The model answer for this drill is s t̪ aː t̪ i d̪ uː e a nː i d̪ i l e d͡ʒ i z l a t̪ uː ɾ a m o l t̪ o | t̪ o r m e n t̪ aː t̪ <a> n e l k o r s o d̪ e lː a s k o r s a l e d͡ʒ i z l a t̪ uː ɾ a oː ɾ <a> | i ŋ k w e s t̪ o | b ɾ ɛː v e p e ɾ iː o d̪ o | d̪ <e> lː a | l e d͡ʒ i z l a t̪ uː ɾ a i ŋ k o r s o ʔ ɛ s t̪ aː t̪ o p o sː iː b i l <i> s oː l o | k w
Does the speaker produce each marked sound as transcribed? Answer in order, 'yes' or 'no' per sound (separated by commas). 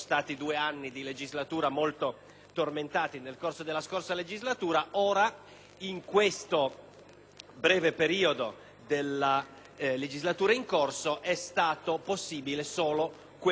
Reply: no, yes, yes, no